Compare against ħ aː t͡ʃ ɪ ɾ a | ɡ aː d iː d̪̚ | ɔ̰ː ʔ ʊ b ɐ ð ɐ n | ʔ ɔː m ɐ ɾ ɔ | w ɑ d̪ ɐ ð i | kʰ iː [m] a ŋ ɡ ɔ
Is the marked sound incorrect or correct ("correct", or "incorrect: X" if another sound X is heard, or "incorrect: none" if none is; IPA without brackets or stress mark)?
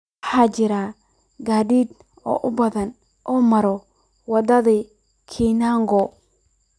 incorrect: n